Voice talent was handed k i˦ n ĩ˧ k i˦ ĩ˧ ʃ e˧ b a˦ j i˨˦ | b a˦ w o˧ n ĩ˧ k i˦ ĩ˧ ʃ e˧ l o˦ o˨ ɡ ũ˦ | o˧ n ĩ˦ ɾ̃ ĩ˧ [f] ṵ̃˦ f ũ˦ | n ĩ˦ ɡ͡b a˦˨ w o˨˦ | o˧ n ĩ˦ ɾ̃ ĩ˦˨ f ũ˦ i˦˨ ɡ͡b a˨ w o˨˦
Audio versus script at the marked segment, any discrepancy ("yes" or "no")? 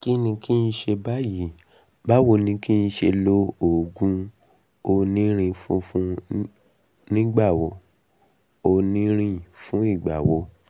no